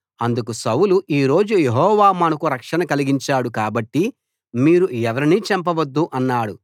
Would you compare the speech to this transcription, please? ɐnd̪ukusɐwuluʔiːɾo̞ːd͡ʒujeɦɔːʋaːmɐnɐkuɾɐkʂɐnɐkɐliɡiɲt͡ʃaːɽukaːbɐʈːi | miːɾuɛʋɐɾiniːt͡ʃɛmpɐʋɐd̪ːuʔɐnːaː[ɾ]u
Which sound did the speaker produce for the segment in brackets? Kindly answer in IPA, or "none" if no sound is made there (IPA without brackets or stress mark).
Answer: ɽ